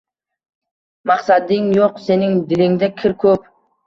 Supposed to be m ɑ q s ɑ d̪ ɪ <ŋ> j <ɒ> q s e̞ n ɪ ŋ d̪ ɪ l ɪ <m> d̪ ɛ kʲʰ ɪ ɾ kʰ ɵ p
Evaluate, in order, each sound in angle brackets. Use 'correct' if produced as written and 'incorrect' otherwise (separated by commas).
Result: correct, incorrect, incorrect